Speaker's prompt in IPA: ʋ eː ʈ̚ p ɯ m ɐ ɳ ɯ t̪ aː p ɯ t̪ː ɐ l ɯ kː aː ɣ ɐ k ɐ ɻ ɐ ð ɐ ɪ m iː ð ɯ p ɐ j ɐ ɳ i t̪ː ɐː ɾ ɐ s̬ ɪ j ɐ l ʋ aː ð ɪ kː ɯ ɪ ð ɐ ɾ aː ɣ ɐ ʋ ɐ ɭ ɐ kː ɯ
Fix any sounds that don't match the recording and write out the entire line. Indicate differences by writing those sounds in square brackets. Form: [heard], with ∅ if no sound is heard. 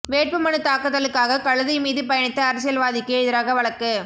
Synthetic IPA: ʋ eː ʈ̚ p ɯ m ɐ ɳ ɯ t̪ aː [k] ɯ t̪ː ɐ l ɯ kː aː ɣ ɐ k ɐ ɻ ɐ ð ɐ ɪ m iː ð ɯ p ɐ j ɐ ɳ [ɪ] t̪ː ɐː ɾ ɐ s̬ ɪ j ɐ l ʋ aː ð ɪ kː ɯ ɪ ð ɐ ɾ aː ɣ ɐ ʋ ɐ ɭ ɐ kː ɯ